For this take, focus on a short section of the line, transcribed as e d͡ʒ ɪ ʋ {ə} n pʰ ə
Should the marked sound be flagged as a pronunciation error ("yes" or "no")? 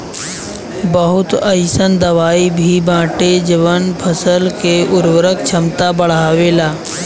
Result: no